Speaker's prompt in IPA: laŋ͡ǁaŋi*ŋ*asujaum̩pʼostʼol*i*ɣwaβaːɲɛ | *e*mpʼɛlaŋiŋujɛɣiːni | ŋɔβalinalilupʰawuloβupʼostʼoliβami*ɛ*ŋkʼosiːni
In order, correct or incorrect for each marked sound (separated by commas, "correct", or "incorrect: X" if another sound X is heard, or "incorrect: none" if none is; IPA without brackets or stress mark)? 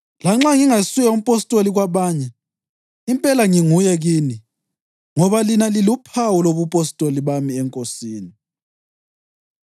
correct, correct, incorrect: i, correct